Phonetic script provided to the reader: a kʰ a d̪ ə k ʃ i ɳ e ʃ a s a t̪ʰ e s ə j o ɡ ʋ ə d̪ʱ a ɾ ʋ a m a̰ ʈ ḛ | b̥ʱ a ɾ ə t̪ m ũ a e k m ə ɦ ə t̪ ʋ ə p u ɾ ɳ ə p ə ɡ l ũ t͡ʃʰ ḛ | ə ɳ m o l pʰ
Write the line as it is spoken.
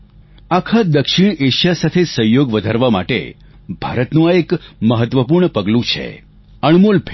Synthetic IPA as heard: a kʰ a d̪ ə k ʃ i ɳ e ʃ a s a t̪ʰ e s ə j o ɡ ʋ ə d̪ʱ a ɾ ʋ a m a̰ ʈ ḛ | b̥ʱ a ɾ ə t̪ n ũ a e k m ə ɦ ə t̪ ʋ ə p u ɾ ɳ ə p ə ɡ l ũ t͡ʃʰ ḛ | ə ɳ m o l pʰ